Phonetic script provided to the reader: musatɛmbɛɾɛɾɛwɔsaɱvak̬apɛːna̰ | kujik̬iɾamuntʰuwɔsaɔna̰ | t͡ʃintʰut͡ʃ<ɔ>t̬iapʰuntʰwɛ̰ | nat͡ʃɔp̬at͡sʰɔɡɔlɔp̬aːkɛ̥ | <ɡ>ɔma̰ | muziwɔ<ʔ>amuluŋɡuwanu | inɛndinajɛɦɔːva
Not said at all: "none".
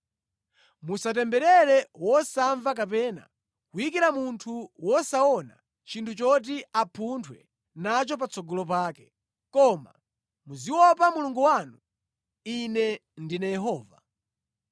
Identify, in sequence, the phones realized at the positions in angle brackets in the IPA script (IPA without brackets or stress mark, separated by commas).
ɔ, k, p